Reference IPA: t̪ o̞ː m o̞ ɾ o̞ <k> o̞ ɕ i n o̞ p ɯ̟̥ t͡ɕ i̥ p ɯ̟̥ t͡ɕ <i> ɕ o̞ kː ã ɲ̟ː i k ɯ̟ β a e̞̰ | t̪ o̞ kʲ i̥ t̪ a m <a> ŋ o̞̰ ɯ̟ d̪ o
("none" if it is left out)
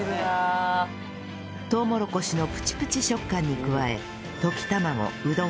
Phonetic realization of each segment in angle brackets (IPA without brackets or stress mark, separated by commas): k, i, a